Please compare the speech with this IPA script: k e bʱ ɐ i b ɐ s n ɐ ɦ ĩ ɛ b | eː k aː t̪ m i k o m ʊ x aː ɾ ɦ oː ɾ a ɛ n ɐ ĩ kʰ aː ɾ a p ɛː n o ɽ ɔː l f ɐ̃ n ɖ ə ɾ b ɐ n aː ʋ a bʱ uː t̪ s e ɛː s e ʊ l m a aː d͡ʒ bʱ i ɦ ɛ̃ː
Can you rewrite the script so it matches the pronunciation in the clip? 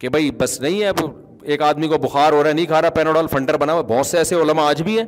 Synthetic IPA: k e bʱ ɐ i b ɐ s n ɐ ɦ ĩ ɛ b | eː k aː d̪ m i k o b ʊ x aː ɾ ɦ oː ɾ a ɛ n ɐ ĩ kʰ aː ɾ a p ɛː n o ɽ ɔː l f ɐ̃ ɳ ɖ ə ɾ b ɐ n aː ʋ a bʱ ɔː t̪ s e ɛː s e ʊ l m a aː d͡ʒ bʱ i ɦ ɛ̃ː